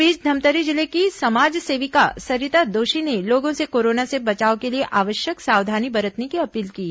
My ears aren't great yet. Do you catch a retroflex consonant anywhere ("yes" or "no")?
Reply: no